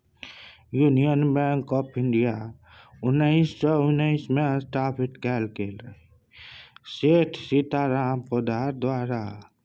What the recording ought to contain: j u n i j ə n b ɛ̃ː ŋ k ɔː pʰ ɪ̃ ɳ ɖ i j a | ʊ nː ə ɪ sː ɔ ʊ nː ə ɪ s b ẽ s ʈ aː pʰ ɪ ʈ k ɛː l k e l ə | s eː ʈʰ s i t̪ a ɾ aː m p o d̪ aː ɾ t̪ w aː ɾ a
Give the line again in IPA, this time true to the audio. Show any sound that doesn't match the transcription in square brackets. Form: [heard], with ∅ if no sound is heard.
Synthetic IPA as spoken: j u n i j ə n b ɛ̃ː ŋ k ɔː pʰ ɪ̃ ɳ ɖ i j a | ʊ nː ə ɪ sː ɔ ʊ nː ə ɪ s [m] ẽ s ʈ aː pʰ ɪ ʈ k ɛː l k e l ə | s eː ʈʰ s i t̪ a ɾ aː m p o d̪ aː ɾ [d̪] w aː ɾ a